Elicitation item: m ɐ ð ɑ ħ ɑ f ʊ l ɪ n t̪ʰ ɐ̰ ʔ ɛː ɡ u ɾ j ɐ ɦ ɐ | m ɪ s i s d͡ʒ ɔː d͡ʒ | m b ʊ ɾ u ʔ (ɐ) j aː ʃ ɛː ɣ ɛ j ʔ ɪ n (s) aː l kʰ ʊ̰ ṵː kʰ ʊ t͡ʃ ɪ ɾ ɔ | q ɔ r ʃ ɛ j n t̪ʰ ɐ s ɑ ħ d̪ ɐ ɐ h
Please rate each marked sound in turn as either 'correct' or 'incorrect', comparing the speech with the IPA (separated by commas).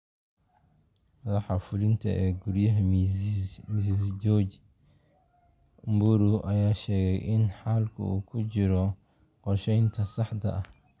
correct, incorrect